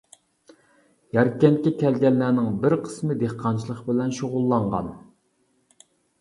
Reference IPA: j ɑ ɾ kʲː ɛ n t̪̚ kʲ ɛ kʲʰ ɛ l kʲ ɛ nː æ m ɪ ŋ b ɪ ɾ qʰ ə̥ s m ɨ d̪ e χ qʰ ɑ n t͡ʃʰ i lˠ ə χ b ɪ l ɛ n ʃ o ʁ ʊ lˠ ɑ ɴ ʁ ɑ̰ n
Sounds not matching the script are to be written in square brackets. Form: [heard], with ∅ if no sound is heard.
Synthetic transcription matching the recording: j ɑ ɾ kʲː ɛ n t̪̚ kʲ ɛ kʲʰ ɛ l [ɡʲ] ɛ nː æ [n] ɪ ŋ b ɪ ɾ qʰ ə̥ s m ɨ d̪ e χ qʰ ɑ n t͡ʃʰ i lˠ ə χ b ɪ l ɛ n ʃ o ʁ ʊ [lˠː] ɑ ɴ ʁ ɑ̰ n